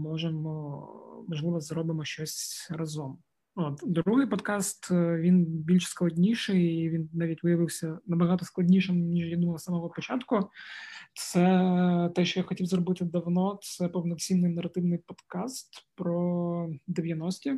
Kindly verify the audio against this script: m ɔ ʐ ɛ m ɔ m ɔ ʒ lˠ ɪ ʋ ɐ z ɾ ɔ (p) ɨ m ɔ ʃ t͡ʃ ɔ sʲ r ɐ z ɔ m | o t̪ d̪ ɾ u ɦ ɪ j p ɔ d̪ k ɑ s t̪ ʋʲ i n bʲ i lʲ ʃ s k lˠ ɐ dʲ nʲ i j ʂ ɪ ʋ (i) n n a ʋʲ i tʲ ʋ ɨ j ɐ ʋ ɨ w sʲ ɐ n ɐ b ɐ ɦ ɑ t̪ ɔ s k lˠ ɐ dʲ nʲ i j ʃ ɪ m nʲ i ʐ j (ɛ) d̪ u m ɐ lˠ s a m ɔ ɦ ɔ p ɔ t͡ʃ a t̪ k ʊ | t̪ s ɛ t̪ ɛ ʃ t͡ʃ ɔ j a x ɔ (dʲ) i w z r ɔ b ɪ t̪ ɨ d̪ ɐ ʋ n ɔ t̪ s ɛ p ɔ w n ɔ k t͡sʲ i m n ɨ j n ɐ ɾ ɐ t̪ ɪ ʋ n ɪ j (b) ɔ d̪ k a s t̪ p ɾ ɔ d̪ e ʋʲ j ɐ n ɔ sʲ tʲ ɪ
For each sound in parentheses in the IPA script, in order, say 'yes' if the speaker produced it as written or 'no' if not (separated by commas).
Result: no, yes, no, no, no